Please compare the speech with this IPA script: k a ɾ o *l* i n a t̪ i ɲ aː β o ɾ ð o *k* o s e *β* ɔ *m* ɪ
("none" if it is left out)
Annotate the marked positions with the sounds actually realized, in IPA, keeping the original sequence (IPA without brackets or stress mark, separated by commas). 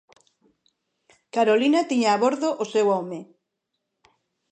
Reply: l, ʔ, w, m